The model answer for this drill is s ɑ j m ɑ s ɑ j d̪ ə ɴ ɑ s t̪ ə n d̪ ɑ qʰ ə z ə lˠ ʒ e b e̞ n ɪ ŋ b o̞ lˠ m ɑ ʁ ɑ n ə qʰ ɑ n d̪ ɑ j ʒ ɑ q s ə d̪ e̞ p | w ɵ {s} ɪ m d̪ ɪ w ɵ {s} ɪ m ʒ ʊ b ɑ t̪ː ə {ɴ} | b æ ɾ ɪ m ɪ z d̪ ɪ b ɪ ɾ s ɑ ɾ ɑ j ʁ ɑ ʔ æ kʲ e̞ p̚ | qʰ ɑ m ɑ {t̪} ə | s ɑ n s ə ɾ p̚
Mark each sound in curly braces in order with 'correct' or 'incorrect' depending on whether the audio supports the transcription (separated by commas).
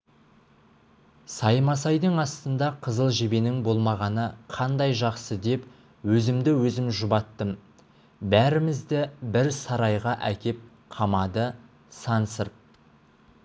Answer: incorrect, incorrect, incorrect, incorrect